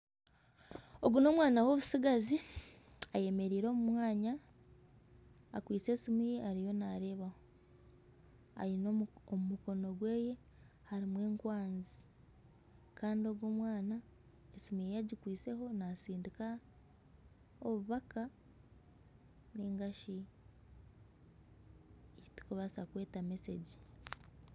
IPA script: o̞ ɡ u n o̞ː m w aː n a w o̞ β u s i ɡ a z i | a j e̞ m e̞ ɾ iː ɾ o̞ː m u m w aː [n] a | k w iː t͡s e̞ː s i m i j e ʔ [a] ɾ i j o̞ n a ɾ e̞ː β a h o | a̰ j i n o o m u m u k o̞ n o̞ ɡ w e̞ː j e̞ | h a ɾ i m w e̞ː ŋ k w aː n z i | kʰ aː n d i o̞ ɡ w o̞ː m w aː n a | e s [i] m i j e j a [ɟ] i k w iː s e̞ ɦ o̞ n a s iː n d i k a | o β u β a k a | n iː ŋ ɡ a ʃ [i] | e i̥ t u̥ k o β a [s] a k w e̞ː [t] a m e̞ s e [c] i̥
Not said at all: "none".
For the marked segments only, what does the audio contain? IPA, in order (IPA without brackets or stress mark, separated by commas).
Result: ɲ, a, i, ɟ, i, s, t, ɟ